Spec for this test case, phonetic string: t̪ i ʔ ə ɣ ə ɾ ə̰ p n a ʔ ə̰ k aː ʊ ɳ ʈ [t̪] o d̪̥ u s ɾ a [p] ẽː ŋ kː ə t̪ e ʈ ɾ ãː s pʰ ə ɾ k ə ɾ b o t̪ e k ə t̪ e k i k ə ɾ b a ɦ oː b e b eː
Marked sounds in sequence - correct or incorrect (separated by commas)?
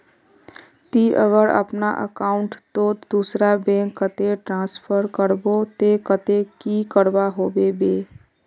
correct, incorrect